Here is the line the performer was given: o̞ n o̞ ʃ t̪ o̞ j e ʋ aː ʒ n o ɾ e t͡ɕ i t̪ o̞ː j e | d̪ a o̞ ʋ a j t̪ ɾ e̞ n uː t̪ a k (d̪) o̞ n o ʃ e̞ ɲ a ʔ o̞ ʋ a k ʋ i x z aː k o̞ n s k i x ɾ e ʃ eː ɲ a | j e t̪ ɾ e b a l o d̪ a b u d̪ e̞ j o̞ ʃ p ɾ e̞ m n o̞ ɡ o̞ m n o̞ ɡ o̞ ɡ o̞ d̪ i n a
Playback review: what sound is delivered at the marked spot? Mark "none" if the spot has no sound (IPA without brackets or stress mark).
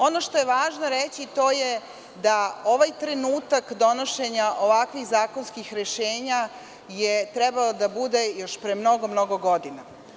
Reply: d̪